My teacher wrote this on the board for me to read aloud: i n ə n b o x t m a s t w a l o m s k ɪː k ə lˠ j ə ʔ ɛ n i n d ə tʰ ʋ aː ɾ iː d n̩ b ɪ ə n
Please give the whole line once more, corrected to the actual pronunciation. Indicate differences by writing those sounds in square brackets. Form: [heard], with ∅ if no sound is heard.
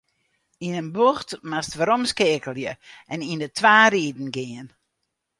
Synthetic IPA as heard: i n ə n b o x t m a s t [ʋ] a [ɾ] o m s k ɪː k ə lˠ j ə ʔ ɛ n i n d ə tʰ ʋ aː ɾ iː d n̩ [ɡ] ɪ ə n